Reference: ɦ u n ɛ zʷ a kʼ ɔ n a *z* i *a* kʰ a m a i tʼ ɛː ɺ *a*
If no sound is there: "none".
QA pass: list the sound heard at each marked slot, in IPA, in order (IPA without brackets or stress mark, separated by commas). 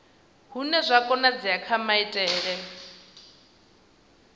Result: d͡z, a, ɛ